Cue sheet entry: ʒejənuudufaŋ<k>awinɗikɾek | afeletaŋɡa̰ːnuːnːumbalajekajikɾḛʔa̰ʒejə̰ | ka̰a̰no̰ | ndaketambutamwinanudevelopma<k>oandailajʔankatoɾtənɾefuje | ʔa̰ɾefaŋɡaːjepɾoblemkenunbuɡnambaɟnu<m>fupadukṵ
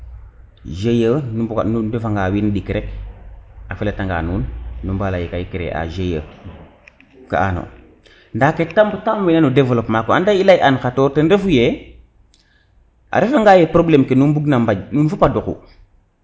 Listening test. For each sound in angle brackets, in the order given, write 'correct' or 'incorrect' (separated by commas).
incorrect, correct, incorrect